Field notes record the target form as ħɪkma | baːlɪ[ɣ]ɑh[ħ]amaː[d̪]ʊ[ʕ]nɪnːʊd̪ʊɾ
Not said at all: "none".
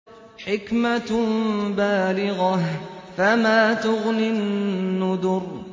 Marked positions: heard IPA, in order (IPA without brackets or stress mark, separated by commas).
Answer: ɣ, f, t̪, ɣ